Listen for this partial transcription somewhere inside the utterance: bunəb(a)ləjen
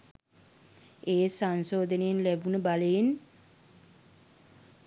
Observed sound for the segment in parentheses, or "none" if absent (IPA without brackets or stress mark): a